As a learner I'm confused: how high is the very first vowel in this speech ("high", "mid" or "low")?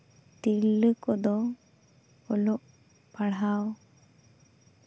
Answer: high